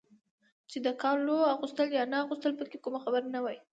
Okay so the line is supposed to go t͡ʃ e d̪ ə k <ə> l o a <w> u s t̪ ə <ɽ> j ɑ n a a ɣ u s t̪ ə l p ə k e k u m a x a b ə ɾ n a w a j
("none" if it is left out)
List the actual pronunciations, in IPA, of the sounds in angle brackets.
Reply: ɑ, ɣ, l

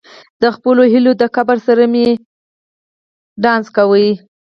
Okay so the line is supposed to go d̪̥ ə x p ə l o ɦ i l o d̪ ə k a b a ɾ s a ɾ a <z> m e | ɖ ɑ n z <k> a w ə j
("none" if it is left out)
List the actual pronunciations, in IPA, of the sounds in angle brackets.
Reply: none, k

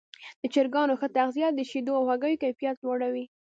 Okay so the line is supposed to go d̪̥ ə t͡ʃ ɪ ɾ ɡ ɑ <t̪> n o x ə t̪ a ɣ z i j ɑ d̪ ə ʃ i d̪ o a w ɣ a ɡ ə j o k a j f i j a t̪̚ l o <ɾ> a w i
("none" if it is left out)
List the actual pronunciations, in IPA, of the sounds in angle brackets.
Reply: none, ɽ

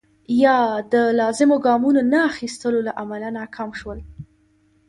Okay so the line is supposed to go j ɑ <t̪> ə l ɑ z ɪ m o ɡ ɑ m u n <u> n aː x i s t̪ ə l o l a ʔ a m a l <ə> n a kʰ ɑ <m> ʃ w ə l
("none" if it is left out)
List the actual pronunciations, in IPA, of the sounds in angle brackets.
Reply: d̪, o, a, m

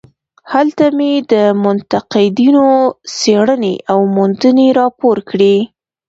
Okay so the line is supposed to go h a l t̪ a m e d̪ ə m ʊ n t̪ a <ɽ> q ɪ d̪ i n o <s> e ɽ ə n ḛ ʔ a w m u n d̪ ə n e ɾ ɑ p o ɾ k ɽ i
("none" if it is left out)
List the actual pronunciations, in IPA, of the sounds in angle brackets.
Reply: none, s

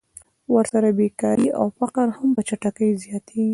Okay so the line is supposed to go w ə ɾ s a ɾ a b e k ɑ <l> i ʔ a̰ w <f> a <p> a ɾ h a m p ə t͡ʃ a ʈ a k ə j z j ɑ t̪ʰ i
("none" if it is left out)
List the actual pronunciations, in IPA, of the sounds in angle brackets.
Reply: ɾ, f, q

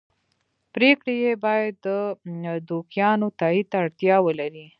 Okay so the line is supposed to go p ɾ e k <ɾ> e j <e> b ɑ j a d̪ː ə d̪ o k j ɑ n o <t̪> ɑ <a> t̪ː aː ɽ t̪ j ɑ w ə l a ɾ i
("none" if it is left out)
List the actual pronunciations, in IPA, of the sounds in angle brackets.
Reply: ɽ, e, t̪, i

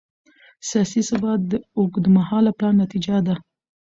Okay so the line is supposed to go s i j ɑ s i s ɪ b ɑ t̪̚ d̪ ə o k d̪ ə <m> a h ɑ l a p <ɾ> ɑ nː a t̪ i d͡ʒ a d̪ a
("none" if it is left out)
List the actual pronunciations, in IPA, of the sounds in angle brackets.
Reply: m, l

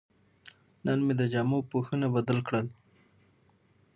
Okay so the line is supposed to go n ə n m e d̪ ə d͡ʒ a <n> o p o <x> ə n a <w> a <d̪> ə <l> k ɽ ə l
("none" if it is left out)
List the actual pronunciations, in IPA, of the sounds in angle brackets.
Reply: m, x, b, d̪, l

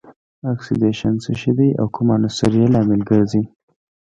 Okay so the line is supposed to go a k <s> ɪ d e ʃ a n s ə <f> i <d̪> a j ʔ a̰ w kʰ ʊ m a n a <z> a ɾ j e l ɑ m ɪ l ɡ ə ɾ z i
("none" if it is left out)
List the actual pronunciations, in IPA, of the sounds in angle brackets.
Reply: s, ʃ, d̪, s

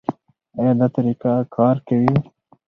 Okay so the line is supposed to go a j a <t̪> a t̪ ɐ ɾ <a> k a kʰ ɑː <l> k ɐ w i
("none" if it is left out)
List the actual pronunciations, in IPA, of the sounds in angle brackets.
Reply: d̪, i, ɾ

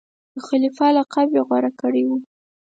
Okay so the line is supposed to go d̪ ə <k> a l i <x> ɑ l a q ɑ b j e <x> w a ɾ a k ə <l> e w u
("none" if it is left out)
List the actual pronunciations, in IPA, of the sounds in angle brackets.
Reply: x, f, ɣ, ɽ

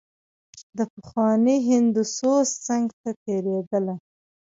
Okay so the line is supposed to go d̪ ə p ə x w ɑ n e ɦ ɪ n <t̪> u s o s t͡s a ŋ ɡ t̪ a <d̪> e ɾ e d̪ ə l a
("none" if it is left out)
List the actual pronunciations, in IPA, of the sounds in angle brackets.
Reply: d̪, t̪

